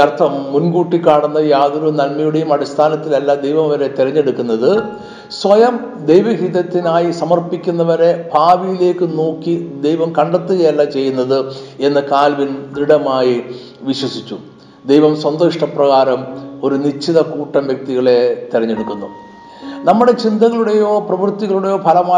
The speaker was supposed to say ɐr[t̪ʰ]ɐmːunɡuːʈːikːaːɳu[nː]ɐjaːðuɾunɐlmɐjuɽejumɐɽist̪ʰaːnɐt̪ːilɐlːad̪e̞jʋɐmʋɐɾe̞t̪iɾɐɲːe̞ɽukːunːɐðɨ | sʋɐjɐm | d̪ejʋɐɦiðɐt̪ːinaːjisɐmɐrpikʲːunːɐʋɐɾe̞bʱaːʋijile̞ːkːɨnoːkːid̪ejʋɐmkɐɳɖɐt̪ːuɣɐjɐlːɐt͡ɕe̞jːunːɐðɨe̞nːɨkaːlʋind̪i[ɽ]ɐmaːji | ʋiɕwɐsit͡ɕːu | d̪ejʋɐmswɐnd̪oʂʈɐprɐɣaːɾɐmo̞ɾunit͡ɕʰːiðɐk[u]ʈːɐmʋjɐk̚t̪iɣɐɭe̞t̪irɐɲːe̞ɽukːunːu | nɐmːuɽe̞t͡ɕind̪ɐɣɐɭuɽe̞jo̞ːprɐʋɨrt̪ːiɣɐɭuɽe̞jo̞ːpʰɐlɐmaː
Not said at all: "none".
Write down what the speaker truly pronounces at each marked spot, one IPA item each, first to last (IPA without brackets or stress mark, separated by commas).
t̪ʰ, nː, ɽ, uː